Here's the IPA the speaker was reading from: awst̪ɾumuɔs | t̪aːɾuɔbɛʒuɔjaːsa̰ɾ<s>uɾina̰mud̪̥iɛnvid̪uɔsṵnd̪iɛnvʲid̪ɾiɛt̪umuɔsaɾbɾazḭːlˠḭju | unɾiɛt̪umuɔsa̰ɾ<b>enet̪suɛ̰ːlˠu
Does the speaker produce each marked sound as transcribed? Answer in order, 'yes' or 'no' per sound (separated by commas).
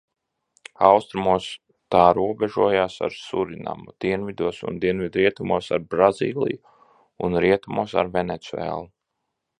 yes, no